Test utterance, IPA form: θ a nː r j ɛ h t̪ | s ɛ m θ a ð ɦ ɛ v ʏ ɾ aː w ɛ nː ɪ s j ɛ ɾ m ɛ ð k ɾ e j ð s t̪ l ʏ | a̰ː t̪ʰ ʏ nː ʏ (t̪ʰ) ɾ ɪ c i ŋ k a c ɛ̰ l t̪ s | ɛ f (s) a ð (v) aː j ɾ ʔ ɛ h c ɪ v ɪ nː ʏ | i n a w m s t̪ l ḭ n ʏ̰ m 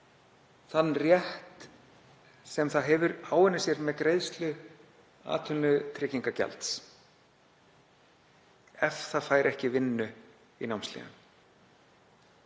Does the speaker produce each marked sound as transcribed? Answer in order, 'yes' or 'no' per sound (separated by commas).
yes, no, no